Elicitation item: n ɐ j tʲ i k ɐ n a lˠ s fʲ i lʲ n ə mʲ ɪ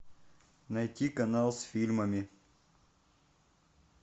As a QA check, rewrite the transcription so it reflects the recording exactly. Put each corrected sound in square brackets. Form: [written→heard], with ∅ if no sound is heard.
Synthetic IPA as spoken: n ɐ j tʲ i k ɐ n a lˠ s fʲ i lʲ [n→m] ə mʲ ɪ